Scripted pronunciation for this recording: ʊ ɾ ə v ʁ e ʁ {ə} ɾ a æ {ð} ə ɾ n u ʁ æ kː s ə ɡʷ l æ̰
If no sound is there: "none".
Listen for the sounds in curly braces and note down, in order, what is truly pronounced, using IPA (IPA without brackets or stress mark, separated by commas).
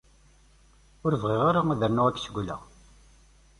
a, ð